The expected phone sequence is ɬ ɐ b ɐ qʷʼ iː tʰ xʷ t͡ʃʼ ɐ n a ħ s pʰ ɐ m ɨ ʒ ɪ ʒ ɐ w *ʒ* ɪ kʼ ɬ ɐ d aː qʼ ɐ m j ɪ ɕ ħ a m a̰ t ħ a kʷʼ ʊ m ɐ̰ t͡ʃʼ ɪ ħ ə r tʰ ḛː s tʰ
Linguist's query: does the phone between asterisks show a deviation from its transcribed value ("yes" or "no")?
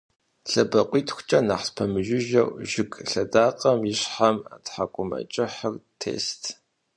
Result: no